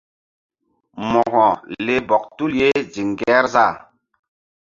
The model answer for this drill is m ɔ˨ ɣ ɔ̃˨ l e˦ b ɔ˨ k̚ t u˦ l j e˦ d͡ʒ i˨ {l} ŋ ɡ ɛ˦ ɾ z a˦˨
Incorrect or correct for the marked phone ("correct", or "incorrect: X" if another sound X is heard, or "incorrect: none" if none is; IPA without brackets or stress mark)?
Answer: incorrect: none